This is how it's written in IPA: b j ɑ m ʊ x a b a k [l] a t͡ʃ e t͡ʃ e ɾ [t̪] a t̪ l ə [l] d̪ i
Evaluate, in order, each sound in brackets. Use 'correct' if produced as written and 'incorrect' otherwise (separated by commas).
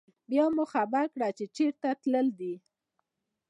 incorrect, correct, correct